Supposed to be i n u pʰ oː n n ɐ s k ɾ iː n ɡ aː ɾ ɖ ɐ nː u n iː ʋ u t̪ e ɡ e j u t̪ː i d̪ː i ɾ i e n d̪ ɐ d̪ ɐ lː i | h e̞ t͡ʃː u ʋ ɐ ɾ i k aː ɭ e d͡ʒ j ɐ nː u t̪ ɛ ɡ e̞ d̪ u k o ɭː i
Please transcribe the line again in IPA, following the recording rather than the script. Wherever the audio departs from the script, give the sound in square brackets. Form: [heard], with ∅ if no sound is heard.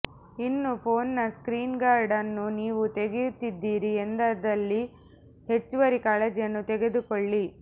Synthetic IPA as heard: i [nː] u pʰ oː n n ɐ s k ɾ iː n ɡ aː ɾ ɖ ɐ nː u n iː ʋ u t̪ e ɡ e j u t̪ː i d̪ː [iː] ɾ i e n d̪ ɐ d̪ ɐ lː i | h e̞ t͡ʃː u ʋ ɐ ɾ i k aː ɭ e d͡ʒ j ɐ nː u t̪ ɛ ɡ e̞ d̪ u k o ɭː i

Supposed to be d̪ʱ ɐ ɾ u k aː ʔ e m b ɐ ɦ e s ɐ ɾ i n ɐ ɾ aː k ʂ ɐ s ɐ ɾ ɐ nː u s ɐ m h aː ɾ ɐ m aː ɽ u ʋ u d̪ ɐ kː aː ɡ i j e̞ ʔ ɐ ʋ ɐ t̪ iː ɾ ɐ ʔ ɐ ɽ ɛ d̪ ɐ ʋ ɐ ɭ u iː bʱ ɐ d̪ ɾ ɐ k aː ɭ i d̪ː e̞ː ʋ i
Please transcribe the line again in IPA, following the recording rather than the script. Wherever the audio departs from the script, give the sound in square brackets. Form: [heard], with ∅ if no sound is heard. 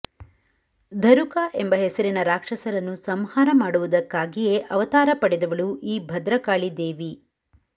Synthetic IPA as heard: d̪ʱ ɐ ɾ u k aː ʔ e m b ɐ ɦ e s ɐ ɾ i n ɐ ɾ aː k ʂ ɐ s ɐ ɾ ɐ nː u s ɐ m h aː ɾ ɐ m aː ɽ u ʋ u d̪ ɐ kː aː ɡ i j e̞ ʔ ɐ ʋ ɐ t̪ [aː] ɾ ɐ [p] ɐ ɽ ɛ d̪ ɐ ʋ ɐ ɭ u iː bʱ ɐ d̪ ɾ ɐ k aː ɭ i [d̪] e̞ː ʋ i

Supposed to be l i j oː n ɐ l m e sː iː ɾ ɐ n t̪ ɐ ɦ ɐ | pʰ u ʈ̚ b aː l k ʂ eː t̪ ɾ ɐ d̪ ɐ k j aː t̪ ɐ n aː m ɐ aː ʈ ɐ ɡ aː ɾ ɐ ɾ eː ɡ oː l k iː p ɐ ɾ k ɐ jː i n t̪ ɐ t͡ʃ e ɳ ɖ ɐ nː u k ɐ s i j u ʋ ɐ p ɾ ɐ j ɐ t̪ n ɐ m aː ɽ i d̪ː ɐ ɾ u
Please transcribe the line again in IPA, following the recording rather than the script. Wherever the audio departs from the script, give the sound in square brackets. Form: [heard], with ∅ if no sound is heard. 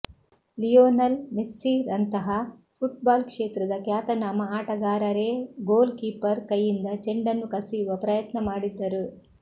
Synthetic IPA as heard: l i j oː n ɐ l m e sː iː ɾ ɐ n t̪ ɐ ɦ ɐ | pʰ u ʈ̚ b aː l k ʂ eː t̪ ɾ ɐ d̪ ɐ k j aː t̪ ɐ n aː m ɐ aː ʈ ɐ ɡ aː ɾ ɐ ɾ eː ɡ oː l k iː p ɐ ɾ k ɐ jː i n [d̪] ɐ t͡ʃ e ɳ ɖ ɐ nː u k ɐ s i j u ʋ ɐ p ɾ ɐ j ɐ t̪ n ɐ m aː ɽ i d̪ː ɐ ɾ u

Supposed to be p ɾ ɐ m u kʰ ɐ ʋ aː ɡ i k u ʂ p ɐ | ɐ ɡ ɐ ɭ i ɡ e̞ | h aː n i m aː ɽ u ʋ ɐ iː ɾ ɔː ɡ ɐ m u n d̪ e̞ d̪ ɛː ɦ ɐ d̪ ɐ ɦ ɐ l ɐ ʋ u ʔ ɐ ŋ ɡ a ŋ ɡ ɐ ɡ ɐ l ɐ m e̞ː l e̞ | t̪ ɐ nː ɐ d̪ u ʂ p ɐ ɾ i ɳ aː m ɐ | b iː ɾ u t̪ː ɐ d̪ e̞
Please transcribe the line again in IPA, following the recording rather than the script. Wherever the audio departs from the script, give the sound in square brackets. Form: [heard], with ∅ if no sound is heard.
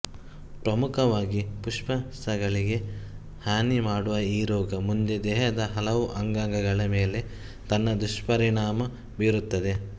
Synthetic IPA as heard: p ɾ ɐ m u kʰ ɐ ʋ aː ɡ i [p] u ʂ p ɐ | ɐ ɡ ɐ ɭ i ɡ e̞ | h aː n i m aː ɽ u ʋ ɐ iː ɾ ɔː ɡ ɐ m u n d̪ e̞ d̪ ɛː ɦ ɐ d̪ ɐ ɦ ɐ l ɐ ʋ u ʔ ɐ ŋ ɡ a ŋ ɡ ɐ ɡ ɐ [ɭ] ɐ m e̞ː l e̞ | t̪ ɐ nː ɐ d̪ u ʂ p ɐ ɾ i ɳ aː m ɐ | b iː ɾ u t̪ː ɐ d̪ e̞

